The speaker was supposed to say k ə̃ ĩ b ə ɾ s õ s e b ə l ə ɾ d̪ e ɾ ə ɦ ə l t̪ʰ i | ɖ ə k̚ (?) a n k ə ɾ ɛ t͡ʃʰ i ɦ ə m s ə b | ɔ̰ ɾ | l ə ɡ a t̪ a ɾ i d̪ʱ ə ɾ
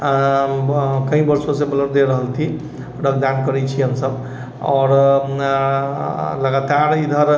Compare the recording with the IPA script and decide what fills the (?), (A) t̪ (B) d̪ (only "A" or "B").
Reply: B